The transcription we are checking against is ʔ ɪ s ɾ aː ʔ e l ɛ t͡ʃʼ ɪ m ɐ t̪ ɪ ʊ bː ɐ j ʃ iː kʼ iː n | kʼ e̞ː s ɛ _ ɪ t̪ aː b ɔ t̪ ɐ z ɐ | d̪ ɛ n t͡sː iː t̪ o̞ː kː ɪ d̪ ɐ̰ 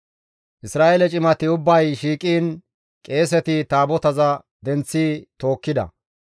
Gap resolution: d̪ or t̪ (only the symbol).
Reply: t̪